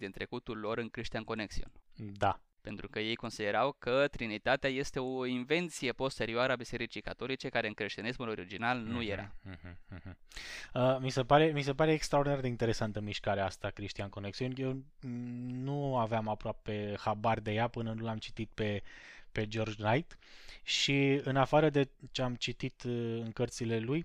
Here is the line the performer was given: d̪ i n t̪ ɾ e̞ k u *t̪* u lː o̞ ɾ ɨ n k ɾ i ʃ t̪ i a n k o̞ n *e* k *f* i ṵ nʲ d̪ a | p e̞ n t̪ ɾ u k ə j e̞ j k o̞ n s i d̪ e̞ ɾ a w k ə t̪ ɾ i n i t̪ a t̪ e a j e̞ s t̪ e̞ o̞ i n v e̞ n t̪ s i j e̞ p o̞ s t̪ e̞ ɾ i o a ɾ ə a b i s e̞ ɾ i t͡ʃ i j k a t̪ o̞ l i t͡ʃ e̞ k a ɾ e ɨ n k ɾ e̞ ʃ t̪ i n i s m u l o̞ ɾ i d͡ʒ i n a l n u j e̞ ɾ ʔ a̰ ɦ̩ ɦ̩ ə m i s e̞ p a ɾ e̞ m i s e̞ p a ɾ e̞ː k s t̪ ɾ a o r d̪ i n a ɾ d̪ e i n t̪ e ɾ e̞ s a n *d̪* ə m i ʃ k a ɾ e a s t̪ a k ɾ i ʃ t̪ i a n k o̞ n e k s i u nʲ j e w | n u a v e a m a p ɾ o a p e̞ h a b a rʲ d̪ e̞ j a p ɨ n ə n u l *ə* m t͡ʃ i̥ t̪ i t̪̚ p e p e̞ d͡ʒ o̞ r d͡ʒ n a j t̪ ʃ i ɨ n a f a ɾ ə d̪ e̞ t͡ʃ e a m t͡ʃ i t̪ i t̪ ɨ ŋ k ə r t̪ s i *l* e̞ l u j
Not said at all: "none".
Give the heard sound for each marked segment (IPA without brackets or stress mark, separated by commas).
t̪, e, s, t̪, a, l